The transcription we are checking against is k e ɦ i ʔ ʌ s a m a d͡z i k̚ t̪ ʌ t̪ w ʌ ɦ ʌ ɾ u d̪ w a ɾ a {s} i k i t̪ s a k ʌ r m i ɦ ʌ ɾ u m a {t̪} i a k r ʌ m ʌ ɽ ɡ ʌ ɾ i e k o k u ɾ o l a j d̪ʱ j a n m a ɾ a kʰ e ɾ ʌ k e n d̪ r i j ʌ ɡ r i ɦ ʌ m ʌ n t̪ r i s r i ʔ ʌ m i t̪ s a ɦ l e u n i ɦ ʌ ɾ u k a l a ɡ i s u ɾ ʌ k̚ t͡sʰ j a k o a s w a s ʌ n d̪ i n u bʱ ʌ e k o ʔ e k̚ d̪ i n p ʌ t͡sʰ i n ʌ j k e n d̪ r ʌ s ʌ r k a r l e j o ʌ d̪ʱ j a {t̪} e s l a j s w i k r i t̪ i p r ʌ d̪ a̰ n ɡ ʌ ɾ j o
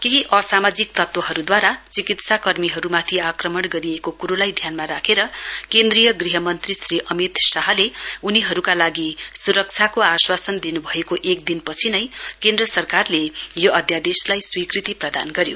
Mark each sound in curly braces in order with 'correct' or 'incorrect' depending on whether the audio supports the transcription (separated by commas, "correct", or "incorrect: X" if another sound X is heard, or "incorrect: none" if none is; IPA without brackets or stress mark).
incorrect: t͡s, incorrect: t̪ʰ, incorrect: d̪